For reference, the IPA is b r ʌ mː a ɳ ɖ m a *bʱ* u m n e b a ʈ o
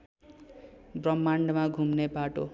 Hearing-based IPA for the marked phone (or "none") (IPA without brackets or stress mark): ɡʱ